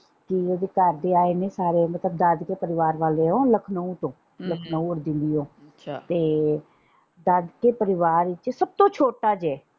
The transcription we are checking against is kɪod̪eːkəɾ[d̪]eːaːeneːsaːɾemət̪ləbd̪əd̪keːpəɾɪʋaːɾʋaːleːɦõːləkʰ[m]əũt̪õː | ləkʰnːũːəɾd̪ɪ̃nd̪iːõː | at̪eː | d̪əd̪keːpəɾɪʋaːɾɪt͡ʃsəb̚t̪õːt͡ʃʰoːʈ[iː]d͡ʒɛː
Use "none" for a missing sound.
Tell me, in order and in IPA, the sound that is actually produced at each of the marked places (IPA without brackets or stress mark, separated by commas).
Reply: d̪, n, aː